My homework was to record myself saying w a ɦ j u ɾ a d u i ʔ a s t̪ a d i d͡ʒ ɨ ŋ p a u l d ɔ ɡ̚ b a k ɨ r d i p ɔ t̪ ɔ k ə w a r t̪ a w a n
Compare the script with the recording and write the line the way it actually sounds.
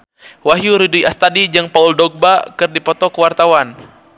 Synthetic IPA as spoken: w a ɦ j u ɾ i d u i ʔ a s t̪ a d i d͡ʒ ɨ ŋ p a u l d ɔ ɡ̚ b a k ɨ r d i p ɔ t̪ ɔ k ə w a r t̪ a w a n